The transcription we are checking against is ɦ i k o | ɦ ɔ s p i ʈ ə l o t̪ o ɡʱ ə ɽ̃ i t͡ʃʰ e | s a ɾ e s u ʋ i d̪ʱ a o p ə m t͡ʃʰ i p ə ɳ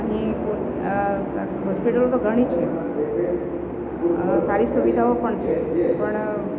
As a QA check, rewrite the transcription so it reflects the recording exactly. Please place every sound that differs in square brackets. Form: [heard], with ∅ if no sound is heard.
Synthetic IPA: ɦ i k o | ɦ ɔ s p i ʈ ə l o t̪ o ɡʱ ə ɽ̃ i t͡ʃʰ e | s a ɾ [i] s u ʋ i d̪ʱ a o p ə [ɳ] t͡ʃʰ [e] p ə ɳ